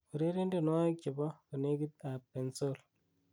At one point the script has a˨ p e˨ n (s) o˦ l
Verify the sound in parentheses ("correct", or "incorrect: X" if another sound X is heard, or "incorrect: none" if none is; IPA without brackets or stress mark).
correct